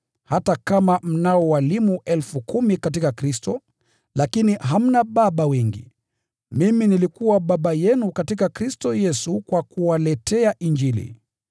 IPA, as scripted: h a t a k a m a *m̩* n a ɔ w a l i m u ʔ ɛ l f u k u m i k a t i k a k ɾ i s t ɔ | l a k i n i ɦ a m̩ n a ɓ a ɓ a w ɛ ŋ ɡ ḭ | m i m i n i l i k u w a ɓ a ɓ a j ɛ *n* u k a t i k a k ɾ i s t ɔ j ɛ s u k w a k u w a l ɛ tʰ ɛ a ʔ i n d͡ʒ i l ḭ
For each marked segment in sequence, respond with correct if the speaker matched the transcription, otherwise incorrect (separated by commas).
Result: correct, correct